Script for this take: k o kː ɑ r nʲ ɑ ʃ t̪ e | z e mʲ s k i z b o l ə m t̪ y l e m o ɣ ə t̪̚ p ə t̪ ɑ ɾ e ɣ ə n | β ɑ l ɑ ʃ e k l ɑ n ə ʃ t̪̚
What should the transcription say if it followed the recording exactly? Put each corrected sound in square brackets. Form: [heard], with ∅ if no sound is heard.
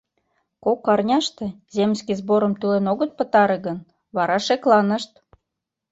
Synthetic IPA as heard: k o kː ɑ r nʲ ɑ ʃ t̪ e | z e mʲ s k i z b o [ɾ] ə m t̪ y l e [n] o ɣ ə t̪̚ p ə t̪ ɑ ɾ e ɣ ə n | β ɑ [ɾ] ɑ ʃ e k l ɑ n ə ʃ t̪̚